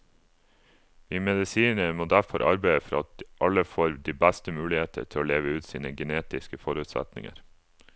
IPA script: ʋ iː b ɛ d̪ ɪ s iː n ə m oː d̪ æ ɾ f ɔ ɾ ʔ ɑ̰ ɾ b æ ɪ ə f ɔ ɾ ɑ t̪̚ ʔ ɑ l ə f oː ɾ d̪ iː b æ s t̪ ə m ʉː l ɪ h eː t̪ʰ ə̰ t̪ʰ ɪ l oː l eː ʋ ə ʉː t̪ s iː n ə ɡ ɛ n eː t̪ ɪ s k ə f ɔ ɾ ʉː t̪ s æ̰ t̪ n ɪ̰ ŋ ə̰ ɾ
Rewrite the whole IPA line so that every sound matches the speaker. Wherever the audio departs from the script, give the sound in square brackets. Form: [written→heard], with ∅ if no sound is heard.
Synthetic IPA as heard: ʋ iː [b→m] ɛ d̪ ɪ s iː n ə m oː d̪ æ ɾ f ɔ ɾ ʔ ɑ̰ ɾ b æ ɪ ə f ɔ ɾ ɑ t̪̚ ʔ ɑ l ə f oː ɾ d̪ iː b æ s t̪ ə m ʉː l ɪ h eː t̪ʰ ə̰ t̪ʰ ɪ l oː l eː ʋ ə ʉː t̪ s iː n ə ɡ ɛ n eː t̪ ɪ s k ə f ɔ ɾ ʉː t̪ s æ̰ t̪ n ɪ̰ ŋ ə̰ ɾ

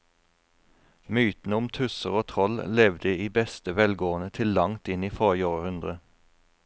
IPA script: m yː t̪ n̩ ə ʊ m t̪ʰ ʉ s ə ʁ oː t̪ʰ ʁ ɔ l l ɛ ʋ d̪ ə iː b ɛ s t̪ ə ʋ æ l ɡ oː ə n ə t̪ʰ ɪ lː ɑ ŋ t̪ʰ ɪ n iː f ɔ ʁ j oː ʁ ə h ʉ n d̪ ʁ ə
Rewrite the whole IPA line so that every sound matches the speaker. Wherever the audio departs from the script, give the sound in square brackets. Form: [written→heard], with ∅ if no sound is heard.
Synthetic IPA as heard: m yː t̪ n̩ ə ʊ m t̪ʰ ʉ s ə ʁ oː t̪ʰ ʁ ɔ l l ɛ ʋ d̪ ə iː b ɛ s t̪ ə ʋ [æ→ɛ] l ɡ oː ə n ə t̪ʰ ɪ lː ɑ ŋ [t̪ʰ→t̪] ɪ n iː f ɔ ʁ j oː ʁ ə h ʉ n d̪ ʁ ə

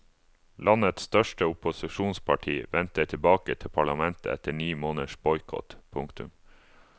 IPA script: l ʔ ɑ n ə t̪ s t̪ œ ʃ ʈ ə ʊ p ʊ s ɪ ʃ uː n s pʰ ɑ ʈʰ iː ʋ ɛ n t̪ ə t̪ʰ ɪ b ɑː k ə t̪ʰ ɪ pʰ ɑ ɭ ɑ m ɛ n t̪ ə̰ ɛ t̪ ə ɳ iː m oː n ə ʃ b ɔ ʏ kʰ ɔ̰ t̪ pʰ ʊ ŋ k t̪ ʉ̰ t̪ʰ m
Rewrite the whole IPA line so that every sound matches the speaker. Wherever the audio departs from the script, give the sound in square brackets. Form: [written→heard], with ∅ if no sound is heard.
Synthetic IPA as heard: l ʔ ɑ n ə t̪ s t̪ œ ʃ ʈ ə ʊ p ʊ s ɪ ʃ uː n s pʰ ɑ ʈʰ iː ʋ ɛ n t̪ ə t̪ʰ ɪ b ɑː k ə t̪ʰ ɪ pʰ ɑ ɭ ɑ m ɛ n t̪ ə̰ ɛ t̪ ə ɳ iː m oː n ə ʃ b ɔ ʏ kʰ ɔ̰ t̪ pʰ ʊ ŋ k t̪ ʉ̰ [t̪ʰ→∅] m

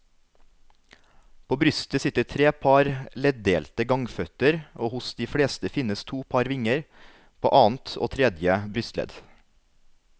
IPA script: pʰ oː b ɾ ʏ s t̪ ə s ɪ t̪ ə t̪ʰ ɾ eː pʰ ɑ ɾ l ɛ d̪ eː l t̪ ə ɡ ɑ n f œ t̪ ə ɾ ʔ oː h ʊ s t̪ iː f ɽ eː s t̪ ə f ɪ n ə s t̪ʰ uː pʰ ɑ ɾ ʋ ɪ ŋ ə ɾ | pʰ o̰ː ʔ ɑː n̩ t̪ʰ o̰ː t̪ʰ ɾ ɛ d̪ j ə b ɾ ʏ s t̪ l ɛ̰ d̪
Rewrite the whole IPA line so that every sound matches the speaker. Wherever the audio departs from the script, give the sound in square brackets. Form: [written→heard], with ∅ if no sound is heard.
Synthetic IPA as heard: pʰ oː b ɾ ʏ s t̪ ə s ɪ t̪ ə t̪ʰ ɾ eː pʰ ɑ ɾ l ɛ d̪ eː l t̪ ə ɡ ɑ [n→ŋ] f œ t̪ ə ɾ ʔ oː h ʊ s [t̪→d̪] iː f ɽ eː s t̪ ə f ɪ n ə s t̪ʰ uː pʰ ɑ ɾ ʋ ɪ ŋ ə ɾ | pʰ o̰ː ʔ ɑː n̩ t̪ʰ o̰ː t̪ʰ ɾ ɛ d̪ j ə b ɾ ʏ s t̪ l ɛ̰ d̪

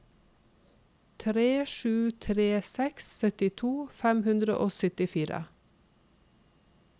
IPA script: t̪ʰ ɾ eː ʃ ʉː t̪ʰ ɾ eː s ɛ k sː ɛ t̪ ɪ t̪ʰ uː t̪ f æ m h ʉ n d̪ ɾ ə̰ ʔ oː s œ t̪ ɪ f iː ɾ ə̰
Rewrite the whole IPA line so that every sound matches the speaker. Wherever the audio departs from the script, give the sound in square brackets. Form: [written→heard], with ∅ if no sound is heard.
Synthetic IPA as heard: t̪ʰ ɾ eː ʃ ʉː t̪ʰ ɾ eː s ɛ k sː [ɛ→œ] t̪ ɪ t̪ʰ uː [t̪→∅] f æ m h ʉ n d̪ ɾ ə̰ ʔ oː s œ t̪ ɪ f iː ɾ ə̰

